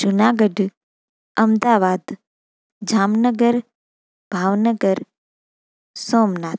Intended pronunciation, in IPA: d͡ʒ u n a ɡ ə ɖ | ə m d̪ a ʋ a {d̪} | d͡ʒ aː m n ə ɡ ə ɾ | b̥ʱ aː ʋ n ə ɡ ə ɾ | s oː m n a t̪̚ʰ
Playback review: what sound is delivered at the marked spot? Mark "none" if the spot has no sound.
d̪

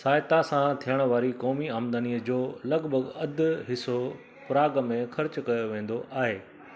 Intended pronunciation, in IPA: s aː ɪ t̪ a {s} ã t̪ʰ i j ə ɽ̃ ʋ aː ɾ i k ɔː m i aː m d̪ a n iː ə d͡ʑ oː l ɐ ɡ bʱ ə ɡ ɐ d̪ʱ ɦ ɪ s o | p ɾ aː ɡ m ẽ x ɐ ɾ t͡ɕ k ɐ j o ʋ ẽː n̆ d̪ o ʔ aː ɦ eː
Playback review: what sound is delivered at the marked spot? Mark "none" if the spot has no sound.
s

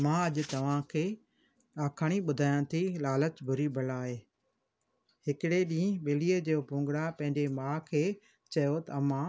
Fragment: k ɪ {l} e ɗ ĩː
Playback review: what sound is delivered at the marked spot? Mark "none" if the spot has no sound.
ɽ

